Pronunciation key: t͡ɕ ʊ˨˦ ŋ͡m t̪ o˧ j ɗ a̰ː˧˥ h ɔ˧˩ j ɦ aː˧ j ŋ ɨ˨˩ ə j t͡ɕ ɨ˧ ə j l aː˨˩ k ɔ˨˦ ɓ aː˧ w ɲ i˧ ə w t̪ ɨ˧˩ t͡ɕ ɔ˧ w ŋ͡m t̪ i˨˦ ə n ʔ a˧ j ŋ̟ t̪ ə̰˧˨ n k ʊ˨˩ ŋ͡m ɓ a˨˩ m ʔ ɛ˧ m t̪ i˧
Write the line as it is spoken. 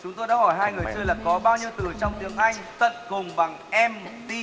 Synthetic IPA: t͡ɕ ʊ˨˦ ŋ͡m t̪ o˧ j ɗ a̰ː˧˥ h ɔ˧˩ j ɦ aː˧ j ŋ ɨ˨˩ ə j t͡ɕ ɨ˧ ə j l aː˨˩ k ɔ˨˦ ɓ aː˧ w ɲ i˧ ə w t̪ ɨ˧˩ t͡ɕ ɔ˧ w ŋ͡m t̪ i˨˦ ə ŋ ʔ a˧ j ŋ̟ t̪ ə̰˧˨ n k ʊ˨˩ ŋ͡m ɓ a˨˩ ŋ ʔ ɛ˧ m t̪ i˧